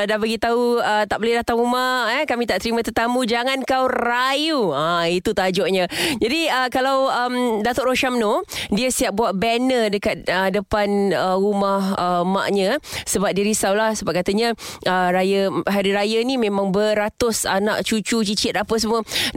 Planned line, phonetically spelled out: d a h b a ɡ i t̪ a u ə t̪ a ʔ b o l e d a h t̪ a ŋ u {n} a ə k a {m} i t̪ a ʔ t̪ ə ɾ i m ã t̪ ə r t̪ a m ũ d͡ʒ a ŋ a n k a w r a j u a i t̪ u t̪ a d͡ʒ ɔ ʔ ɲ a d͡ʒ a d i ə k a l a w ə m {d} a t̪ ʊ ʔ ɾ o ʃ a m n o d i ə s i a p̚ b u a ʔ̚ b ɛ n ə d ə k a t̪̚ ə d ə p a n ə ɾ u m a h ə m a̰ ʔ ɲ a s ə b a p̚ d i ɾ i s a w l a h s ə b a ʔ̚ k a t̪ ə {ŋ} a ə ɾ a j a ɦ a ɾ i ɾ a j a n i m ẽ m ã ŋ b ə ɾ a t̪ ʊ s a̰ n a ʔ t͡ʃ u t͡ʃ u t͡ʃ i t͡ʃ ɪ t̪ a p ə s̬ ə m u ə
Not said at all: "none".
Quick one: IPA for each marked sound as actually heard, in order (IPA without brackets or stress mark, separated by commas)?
m, m, d, ɲ